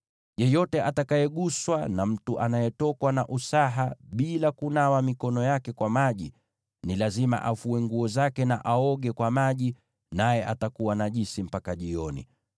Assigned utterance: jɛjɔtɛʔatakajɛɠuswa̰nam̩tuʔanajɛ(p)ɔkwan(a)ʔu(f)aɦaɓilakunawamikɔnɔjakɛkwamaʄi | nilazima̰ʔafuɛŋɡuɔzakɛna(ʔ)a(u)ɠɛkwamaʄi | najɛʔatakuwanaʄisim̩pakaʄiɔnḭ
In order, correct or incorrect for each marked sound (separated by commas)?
incorrect, correct, incorrect, correct, incorrect